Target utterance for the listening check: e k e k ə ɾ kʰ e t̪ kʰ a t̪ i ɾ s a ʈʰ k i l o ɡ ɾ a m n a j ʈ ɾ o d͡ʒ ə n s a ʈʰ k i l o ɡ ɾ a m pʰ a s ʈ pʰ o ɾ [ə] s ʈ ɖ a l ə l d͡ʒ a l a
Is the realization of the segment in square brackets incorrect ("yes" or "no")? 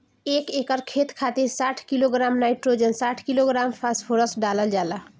no